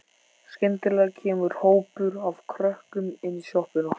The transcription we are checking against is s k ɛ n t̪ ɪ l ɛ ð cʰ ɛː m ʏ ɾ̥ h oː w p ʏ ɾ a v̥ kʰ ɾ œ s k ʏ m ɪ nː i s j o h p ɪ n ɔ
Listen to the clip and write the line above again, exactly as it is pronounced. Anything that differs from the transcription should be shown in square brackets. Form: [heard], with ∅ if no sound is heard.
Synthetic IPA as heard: s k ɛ n t̪ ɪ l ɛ [ɣ] cʰ ɛː m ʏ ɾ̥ h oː w p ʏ ɾ a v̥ kʰ ɾ œ [h] k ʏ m ɪ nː i s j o h p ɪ n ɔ